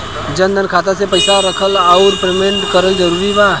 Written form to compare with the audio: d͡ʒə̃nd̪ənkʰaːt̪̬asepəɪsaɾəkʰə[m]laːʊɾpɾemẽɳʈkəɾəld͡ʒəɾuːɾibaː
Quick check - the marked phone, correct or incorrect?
incorrect